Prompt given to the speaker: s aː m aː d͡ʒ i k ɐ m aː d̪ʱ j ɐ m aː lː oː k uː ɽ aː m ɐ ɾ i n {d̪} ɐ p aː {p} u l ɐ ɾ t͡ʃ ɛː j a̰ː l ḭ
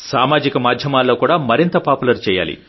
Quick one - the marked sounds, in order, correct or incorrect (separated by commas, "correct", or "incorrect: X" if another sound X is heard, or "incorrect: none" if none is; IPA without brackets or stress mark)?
incorrect: t̪, correct